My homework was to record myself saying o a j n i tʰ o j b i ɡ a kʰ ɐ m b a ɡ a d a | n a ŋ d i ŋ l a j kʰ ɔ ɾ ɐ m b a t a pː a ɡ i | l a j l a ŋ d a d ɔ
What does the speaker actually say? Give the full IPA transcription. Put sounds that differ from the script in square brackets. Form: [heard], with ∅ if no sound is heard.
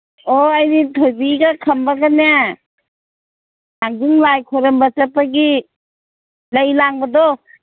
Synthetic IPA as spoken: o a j n i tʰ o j b i ɡ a kʰ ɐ m b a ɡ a [n] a | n a ŋ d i ŋ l a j kʰ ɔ ɾ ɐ m b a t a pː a ɡ i | l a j l a ŋ [b] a d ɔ

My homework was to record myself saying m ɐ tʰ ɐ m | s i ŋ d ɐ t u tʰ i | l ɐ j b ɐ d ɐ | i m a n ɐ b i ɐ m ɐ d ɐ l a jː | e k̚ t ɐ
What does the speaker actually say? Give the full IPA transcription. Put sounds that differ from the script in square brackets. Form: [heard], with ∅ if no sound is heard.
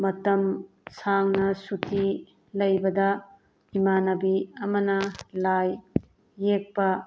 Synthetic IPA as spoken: m ɐ [t] ɐ m | s [a] ŋ [n] ɐ [s] u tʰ i | l ɐ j b ɐ d ɐ | i m a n ɐ b i ɐ m ɐ [n] ɐ l a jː | e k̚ [p] ɐ

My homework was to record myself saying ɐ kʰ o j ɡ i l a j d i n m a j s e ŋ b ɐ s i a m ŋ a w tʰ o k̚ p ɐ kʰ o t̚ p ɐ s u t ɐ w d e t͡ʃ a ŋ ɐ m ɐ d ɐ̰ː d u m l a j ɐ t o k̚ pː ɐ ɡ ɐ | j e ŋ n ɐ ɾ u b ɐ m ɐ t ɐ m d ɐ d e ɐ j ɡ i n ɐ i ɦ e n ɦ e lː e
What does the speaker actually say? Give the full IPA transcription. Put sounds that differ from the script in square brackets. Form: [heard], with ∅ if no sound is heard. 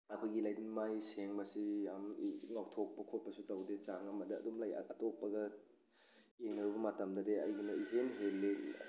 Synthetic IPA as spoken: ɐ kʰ o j ɡ i l a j d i n m a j s e ŋ b ɐ s i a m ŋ a w tʰ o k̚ p ɐ kʰ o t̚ p ɐ s u t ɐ w d e t͡ʃ a ŋ ɐ m ɐ d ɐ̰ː d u m l a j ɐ t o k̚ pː ɐ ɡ ɐ | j e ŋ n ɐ ɾ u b ɐ m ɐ t ɐ m d ɐ d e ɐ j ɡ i n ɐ i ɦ e n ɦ e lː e

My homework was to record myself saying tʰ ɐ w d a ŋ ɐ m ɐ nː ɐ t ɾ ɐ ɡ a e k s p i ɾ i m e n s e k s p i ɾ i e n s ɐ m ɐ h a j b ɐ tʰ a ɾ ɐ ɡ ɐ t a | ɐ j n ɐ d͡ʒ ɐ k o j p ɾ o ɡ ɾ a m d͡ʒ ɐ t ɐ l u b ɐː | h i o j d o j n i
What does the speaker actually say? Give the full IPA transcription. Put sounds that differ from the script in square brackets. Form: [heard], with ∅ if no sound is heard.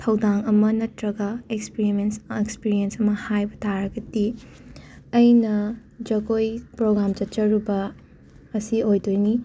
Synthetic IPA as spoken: tʰ ɐ w d a ŋ ɐ m ɐ [n] ɐ t ɾ ɐ ɡ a e k s p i ɾ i m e n s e k s p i ɾ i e n s ɐ m ɐ h a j b ɐ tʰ a ɾ ɐ ɡ ɐ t [i] | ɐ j n ɐ d͡ʒ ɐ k o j p ɾ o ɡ ɾ a m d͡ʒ ɐ [t͡ʃ] ɐ [ɾ] u b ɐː | [s] i o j d o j n i

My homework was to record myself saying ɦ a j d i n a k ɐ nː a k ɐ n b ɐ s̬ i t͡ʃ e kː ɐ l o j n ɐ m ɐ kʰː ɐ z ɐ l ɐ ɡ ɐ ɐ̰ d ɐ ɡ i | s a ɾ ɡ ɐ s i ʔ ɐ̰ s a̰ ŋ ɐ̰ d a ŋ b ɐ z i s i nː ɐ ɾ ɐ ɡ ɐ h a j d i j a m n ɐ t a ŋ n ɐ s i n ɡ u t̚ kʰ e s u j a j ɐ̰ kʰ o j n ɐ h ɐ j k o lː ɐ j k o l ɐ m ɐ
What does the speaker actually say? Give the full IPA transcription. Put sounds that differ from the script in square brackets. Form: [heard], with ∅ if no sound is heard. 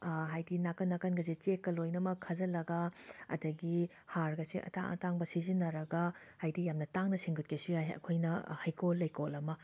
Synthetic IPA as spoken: ɦ a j d i n a k ɐ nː a k ɐ n [ɡ] ɐ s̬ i t͡ʃ e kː ɐ l o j n ɐ m ɐ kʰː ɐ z ɐ l ɐ ɡ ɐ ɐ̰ d ɐ ɡ i | [h] a ɾ ɡ ɐ s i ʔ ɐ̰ [t] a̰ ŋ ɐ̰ [t] a ŋ b ɐ [s] i [z] i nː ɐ ɾ ɐ ɡ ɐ h a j d i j a m n ɐ t a ŋ n ɐ s i [ŋ] ɡ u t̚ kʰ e s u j a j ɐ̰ kʰ o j n ɐ h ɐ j k o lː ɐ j k o l ɐ m ɐ

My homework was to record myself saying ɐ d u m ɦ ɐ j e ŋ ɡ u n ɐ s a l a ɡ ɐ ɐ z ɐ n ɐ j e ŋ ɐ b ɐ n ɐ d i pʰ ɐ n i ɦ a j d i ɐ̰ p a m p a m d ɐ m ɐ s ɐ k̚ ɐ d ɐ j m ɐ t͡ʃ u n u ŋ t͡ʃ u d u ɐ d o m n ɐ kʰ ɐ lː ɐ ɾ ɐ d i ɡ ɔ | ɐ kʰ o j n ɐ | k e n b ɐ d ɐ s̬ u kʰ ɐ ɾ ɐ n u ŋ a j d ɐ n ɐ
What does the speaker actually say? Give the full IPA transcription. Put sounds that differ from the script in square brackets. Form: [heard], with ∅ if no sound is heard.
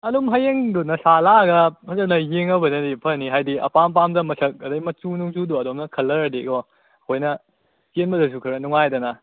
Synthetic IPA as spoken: ɐ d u m ɦ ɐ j e ŋ [d] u n ɐ s a l a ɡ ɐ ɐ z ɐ n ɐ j e ŋ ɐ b ɐ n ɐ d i pʰ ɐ n i ɦ a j d i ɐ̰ p a m p a m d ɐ m ɐ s ɐ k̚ ɐ d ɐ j m ɐ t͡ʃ u n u ŋ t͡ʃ u d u ɐ d o m n ɐ kʰ ɐ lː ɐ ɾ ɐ d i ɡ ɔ | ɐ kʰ o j n ɐ | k e n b ɐ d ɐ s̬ u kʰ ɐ ɾ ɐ n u ŋ a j d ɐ n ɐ

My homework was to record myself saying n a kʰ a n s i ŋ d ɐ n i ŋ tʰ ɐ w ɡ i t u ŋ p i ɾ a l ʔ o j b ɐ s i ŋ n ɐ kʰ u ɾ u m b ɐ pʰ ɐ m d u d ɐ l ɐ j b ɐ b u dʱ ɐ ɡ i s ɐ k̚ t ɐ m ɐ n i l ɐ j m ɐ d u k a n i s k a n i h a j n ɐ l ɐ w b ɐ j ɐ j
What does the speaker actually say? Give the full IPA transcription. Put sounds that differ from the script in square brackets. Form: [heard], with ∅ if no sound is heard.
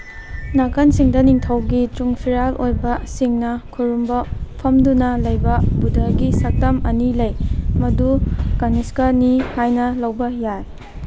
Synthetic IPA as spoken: n a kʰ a n s i ŋ d ɐ n i ŋ tʰ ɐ w ɡ i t u ŋ [pʰ] i ɾ a l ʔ o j b ɐ s i ŋ n ɐ kʰ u ɾ u m b ɐ pʰ ɐ m d u [n] ɐ l ɐ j b ɐ b u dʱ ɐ ɡ i s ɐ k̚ t ɐ m ɐ n i l ɐ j m ɐ d u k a n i s k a n i h a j n ɐ l ɐ w b ɐ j [a] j

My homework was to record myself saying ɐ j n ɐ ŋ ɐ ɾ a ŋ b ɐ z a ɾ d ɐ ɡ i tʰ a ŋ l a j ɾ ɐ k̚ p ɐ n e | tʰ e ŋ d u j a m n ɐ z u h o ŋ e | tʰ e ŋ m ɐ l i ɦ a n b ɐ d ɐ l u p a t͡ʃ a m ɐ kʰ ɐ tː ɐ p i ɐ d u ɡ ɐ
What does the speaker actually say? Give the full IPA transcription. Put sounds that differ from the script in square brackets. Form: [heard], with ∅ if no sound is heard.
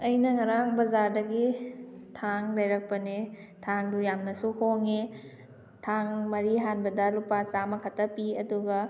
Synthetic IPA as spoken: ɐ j n ɐ ŋ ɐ ɾ a ŋ b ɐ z a ɾ d ɐ ɡ i tʰ a ŋ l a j ɾ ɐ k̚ p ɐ n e | tʰ [a] ŋ d u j a m n ɐ [s] u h o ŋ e | tʰ [a] ŋ m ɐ [ɾ] i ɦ a n b ɐ d ɐ l u p a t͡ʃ a m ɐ kʰ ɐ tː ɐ p i ɐ d u ɡ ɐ

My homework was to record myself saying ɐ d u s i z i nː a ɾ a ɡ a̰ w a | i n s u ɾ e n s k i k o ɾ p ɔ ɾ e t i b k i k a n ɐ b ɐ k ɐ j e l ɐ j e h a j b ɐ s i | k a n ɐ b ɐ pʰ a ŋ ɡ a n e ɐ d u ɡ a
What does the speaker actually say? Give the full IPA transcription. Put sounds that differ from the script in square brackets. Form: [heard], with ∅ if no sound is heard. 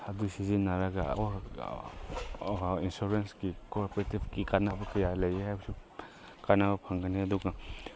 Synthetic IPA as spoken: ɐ d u s i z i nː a ɾ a ɡ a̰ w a | i n s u ɾ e n s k i k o ɾ p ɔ ɾ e t i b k i k a n [a] b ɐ k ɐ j [a] l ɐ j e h a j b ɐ s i | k a n [a] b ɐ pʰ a ŋ ɡ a n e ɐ d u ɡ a

